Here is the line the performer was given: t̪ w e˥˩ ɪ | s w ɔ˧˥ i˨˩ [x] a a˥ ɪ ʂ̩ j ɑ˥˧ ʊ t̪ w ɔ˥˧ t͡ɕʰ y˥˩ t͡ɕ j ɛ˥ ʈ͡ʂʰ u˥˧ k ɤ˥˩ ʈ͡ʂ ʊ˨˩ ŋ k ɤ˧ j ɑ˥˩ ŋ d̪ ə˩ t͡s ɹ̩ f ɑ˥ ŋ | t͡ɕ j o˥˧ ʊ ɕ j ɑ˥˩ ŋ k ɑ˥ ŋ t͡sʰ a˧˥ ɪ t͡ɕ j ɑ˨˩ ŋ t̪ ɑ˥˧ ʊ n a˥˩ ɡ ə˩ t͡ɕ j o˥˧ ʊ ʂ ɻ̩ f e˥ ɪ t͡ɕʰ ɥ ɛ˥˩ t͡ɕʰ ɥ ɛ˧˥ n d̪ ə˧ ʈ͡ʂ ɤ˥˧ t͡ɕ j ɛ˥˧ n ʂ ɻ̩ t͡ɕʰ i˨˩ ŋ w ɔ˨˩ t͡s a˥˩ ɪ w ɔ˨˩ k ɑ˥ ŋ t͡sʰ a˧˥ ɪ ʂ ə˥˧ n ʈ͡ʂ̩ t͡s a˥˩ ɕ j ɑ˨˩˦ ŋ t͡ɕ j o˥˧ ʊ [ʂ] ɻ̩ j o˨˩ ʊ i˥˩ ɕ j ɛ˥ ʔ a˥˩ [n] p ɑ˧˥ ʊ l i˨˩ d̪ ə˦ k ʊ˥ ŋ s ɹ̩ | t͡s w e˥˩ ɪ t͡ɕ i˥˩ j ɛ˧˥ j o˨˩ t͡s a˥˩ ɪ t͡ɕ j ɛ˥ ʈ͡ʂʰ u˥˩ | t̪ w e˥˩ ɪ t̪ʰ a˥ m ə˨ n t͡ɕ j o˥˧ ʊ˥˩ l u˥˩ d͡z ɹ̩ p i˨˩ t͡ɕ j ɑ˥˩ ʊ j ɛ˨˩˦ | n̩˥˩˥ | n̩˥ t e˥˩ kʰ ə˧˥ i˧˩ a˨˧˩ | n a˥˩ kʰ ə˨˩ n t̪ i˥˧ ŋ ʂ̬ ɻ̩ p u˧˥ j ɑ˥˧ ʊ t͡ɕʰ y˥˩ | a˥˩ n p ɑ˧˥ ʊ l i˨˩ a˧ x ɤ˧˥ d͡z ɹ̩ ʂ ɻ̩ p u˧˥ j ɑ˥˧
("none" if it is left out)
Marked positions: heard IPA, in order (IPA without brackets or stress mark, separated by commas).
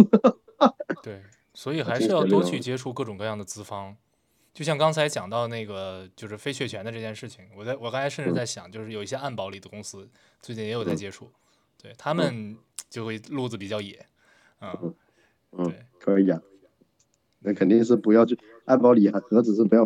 x, ʂ, n